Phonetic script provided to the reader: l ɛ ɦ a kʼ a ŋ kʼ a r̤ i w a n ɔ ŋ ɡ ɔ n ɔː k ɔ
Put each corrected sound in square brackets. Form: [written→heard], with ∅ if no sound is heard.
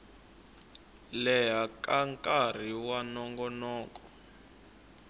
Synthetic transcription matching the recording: l ɛ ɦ a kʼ a ŋ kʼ a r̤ i w a n ɔ ŋ ɡ ɔ n ɔː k ɔ